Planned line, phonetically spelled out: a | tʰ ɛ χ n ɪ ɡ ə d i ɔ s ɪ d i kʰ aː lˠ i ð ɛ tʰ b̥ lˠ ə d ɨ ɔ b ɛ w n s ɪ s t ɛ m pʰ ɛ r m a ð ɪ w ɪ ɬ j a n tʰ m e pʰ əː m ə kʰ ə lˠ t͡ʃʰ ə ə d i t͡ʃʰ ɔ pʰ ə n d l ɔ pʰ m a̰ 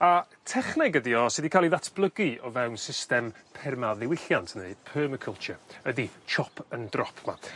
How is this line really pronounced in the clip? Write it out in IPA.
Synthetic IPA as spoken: a | tʰ ɛ χ n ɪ ɡ ə d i ɔ s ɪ d i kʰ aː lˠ i ð a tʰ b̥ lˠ ə ɡ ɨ ɔ v ɛ w n s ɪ s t ɛ m pʰ ɛ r m a ð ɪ w ɪ ɬ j a n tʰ n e pʰ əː m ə kʰ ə lˠ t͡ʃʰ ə ə d i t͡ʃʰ ɔ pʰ ə n d r ɔ pʰ m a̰